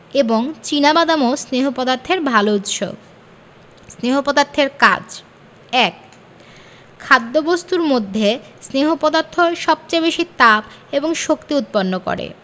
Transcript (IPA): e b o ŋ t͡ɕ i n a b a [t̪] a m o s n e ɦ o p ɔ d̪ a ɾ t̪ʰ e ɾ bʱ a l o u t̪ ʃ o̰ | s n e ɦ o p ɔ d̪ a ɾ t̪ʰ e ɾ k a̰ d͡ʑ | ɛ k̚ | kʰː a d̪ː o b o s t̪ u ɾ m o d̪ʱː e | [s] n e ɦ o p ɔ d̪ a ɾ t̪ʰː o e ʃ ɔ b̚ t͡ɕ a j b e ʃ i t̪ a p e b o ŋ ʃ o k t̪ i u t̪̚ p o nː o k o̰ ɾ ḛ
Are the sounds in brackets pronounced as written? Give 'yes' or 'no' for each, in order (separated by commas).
no, yes